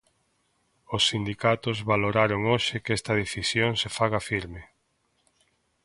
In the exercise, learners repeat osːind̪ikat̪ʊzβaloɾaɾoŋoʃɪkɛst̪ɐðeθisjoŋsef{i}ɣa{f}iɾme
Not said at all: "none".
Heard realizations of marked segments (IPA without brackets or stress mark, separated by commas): a, f